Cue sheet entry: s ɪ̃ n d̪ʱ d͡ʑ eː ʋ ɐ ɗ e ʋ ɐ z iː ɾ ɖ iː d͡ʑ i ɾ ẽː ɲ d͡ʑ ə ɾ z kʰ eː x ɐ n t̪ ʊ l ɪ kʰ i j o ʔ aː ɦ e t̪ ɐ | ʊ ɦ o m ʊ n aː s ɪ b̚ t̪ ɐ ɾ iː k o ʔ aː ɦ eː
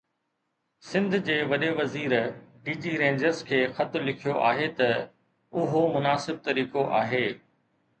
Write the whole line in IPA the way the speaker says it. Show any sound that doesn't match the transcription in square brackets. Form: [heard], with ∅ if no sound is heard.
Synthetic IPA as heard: s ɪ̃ n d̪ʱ d͡ʑ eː ʋ ɐ ɗ e ʋ ɐ z iː ɾ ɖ iː d͡ʑ i ɾ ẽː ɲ d͡ʑ ə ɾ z kʰ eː x ɐ [∅] t̪ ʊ l ɪ kʰ i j o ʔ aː ɦ e t̪ ɐ | ʊ ɦ o m ʊ n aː s ɪ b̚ t̪ ɐ ɾ iː k o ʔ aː ɦ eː